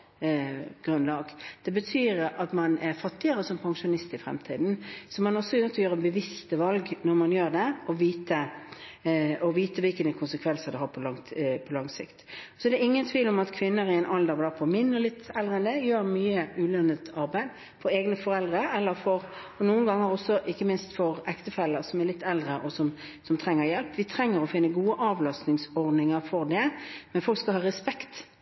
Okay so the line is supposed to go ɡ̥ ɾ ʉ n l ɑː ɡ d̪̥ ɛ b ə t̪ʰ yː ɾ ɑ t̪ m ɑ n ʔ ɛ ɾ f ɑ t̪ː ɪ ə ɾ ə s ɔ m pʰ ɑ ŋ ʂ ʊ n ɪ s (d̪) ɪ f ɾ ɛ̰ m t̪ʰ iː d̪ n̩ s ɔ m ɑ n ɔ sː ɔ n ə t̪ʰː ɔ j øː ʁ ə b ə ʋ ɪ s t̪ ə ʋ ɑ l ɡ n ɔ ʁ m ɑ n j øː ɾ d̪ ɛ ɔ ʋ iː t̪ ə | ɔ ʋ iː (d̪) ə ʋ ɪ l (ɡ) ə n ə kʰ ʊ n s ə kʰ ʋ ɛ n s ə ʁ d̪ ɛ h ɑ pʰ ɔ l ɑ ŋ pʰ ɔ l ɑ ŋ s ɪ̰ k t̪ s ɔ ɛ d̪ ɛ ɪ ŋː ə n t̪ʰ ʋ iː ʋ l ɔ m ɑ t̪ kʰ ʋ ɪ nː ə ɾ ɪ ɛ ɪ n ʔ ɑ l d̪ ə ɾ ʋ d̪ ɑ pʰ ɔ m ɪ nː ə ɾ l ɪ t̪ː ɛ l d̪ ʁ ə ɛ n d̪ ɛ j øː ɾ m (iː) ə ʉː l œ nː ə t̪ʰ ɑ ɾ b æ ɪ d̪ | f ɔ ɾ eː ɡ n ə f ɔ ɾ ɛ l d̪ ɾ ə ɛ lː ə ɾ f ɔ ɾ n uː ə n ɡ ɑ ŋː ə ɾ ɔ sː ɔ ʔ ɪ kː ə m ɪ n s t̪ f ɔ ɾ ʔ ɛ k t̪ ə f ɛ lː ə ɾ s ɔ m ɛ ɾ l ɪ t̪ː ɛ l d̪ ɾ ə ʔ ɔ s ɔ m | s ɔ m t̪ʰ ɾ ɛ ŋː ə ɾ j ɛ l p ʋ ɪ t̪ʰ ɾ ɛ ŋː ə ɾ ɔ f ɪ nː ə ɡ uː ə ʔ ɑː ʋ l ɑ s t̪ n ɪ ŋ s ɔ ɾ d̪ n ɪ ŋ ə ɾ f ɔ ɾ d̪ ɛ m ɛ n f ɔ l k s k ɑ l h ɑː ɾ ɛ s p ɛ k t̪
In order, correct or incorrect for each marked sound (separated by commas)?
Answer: incorrect, incorrect, incorrect, incorrect